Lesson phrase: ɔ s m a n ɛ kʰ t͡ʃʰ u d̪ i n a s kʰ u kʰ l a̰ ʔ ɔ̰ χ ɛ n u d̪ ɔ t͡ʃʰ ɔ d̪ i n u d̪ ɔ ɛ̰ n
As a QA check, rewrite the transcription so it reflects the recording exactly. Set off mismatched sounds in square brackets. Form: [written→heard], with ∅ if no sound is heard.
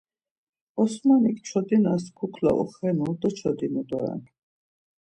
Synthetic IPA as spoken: ɔ s m a n [ɛ→i] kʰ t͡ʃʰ [u→ɔ] d̪ i n a s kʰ u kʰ l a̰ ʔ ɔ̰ χ ɛ n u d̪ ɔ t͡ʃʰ ɔ d̪ i n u d̪ ɔ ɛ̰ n